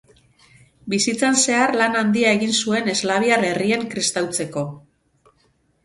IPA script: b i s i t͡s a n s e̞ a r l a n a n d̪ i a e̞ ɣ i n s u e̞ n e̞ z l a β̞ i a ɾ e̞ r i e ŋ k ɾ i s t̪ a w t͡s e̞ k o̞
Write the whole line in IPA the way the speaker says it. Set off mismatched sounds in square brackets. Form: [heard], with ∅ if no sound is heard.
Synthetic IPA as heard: b i s i t͡s a n s e̞ a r l a n a n d̪ i a e̞ ɣ i n s u e̞ n e̞ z l a β̞ i a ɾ e̞ r i e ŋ k ɾ i s t̪ a w t͡s e̞ k o̞